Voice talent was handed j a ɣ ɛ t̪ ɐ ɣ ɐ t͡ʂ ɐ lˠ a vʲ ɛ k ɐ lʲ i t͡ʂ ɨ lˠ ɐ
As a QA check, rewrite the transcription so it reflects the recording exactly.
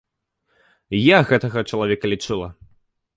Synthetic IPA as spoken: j a ɣ ɛ t̪ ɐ ɣ ɐ t͡ʂ ɐ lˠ a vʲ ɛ k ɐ lʲ i t͡ʂ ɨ lˠ ɐ